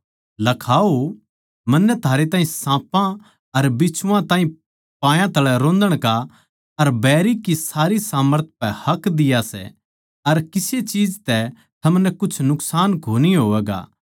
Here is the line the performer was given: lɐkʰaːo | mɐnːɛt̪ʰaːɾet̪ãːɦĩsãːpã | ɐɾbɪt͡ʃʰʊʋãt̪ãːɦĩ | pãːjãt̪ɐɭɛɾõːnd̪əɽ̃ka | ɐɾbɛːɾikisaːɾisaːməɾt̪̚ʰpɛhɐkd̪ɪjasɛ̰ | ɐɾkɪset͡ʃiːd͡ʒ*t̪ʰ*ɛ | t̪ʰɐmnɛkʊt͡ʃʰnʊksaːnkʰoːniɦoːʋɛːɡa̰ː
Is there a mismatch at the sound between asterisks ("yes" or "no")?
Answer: yes